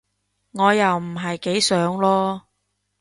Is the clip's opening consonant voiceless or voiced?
voiced